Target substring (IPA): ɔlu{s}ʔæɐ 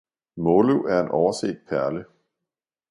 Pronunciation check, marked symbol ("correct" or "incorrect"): incorrect